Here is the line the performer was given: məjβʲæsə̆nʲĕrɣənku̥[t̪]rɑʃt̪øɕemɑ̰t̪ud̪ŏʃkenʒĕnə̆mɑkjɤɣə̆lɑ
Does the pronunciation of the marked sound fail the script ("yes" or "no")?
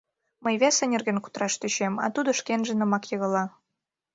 no